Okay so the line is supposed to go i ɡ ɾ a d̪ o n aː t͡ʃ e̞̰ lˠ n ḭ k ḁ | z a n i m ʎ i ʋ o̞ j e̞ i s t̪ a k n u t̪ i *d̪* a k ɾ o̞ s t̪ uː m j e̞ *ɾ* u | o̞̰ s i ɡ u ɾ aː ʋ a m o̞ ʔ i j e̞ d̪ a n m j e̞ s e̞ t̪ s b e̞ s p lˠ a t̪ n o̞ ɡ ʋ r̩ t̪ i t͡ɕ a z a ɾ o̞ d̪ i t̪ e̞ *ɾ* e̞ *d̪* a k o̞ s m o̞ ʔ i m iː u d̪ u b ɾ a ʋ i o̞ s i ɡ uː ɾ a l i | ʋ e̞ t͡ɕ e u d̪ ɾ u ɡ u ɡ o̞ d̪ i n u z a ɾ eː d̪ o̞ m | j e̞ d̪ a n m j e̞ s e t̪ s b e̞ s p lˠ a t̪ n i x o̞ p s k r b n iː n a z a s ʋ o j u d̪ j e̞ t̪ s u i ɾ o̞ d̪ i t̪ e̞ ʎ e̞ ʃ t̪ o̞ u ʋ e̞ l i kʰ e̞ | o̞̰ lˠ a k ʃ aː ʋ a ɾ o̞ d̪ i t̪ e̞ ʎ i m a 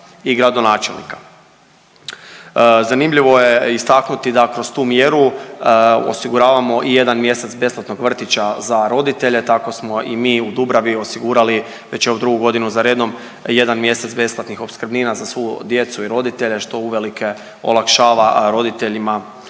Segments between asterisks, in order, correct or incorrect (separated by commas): correct, correct, incorrect, incorrect